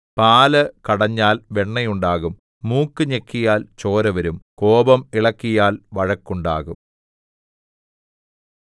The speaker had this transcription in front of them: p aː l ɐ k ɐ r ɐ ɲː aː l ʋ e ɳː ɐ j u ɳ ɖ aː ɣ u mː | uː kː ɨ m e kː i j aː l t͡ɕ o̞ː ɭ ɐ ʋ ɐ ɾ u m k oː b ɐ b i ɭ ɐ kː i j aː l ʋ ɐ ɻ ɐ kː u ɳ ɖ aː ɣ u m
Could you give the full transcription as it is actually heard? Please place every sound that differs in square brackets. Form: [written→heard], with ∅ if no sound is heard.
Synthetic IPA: p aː l ɐ k ɐ [r→ɽ] ɐ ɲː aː l ʋ e ɳː ɐ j u ɳ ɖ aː ɣ u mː | uː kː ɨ [m→ɲ] e kː i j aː l t͡ɕ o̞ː [ɭ→ɾ] ɐ ʋ ɐ ɾ u m k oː b ɐ [b→m] i ɭ ɐ kː i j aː l ʋ ɐ ɻ ɐ kː u ɳ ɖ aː ɣ u m